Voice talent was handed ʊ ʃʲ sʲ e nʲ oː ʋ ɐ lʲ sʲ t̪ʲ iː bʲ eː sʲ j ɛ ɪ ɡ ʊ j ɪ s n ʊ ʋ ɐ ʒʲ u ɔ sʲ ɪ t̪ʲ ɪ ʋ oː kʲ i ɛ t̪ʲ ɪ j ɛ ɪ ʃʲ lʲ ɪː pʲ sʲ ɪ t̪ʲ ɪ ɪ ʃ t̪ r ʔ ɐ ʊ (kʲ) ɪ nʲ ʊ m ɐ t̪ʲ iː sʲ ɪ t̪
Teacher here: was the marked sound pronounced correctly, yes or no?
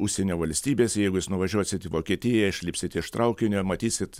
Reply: yes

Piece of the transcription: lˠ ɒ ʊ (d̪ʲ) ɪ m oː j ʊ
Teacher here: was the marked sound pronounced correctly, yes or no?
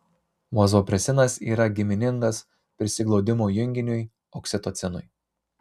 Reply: yes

